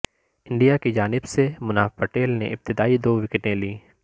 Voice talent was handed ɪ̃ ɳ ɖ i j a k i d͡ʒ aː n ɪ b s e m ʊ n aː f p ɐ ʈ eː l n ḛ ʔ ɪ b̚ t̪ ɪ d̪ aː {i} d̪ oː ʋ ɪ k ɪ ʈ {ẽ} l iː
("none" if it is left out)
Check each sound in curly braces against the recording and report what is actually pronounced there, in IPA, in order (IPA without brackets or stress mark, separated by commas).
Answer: i, ẽ